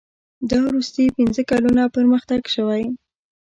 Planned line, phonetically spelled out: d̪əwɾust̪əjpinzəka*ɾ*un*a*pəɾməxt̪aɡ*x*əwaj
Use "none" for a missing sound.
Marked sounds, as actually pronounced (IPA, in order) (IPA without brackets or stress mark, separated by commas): l, a, ʃ